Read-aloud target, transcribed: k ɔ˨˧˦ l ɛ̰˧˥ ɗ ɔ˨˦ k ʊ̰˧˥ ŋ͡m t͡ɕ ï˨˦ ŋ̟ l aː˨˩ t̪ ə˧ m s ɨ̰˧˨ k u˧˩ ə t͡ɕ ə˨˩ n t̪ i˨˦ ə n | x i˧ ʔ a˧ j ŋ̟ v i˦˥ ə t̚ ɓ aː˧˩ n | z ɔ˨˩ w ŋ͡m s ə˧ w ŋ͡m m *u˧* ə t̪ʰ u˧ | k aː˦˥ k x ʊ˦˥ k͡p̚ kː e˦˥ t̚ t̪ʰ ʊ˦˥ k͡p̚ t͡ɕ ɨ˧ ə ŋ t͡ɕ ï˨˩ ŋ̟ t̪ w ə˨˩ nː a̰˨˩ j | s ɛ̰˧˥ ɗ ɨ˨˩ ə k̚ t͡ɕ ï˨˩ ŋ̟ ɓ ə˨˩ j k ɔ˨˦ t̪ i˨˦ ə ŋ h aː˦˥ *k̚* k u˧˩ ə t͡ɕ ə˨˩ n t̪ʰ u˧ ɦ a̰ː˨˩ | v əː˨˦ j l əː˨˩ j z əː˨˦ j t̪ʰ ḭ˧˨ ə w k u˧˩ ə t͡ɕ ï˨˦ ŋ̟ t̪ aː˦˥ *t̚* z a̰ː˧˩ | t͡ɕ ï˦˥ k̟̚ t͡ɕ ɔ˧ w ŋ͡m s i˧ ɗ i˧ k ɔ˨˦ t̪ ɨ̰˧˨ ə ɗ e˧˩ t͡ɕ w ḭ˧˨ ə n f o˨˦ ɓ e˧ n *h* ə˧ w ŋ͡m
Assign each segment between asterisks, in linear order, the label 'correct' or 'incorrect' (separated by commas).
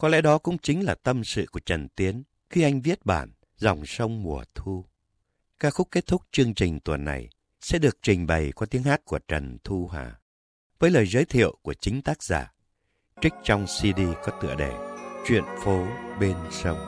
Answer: incorrect, incorrect, incorrect, incorrect